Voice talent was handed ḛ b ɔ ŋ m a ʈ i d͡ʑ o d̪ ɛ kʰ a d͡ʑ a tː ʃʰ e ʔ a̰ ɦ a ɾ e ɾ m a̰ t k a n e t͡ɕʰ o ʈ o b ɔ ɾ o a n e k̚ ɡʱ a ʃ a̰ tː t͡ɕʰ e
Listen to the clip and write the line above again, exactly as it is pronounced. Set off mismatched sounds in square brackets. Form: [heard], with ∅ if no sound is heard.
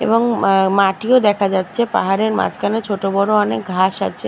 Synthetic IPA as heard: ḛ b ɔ ŋ m a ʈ i [∅] o d̪ ɛ kʰ a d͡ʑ a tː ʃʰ e [p] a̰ ɦ a ɾ e ɾ m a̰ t k a n e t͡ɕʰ o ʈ o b ɔ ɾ o a n e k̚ ɡʱ a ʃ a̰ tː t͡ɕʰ e